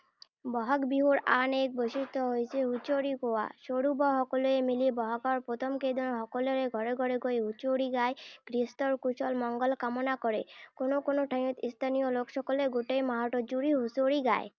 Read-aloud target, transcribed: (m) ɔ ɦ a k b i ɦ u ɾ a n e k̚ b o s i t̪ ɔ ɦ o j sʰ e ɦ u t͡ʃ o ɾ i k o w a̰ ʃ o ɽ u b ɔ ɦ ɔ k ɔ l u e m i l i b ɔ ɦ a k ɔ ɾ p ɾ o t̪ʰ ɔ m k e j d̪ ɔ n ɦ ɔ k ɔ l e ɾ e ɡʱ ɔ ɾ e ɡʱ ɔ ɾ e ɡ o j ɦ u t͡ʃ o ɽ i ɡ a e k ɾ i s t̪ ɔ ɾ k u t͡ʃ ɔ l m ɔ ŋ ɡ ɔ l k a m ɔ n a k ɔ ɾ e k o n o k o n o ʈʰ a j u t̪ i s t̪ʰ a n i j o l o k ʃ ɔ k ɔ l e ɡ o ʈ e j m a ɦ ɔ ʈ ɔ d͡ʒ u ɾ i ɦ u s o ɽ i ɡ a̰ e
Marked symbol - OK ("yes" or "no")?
no